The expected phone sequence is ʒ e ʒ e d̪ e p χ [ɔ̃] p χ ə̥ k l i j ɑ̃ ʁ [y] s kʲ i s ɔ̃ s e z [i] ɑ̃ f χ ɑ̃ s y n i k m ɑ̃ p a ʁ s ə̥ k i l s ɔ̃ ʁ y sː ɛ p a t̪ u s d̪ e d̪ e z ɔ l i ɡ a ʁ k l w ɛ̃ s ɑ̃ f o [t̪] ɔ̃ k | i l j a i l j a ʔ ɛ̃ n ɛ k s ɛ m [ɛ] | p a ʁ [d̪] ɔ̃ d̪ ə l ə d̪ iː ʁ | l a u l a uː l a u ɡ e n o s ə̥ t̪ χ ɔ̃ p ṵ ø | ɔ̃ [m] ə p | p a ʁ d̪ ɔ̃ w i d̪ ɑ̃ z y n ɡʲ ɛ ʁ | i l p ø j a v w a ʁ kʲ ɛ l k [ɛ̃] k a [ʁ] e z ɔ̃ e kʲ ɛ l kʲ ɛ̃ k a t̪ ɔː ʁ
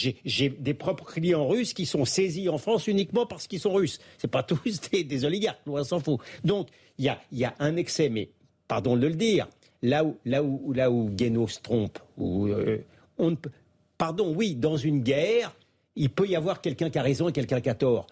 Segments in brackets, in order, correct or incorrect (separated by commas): incorrect, correct, correct, incorrect, correct, correct, incorrect, correct, correct